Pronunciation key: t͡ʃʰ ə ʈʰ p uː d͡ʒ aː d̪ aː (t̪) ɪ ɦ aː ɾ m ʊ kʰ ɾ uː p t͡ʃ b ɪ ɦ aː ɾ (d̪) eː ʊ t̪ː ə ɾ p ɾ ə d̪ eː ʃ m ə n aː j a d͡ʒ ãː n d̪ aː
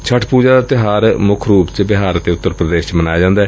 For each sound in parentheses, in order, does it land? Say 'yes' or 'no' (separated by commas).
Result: yes, no